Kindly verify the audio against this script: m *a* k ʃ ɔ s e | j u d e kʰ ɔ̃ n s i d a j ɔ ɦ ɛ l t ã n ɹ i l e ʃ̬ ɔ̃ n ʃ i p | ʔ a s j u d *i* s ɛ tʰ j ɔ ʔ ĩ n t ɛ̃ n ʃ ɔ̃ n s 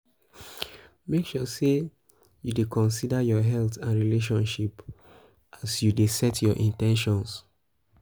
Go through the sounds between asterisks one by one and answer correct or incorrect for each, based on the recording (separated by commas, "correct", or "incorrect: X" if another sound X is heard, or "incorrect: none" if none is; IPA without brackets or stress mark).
incorrect: e, incorrect: e